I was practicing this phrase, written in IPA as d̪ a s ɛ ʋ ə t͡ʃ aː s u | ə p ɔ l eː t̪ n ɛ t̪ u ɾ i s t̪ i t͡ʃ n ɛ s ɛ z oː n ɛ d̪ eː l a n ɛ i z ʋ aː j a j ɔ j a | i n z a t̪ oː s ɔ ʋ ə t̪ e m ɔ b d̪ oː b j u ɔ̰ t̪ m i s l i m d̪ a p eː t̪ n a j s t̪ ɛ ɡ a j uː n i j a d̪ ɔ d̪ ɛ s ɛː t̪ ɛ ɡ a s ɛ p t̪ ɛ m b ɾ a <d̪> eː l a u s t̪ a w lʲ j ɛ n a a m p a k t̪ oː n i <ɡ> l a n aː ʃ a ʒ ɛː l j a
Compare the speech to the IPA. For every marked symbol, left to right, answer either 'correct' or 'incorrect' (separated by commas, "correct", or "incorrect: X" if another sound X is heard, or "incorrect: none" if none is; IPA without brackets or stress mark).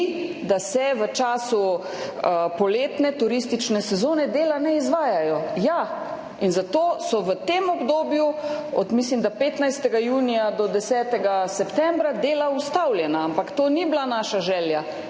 correct, incorrect: b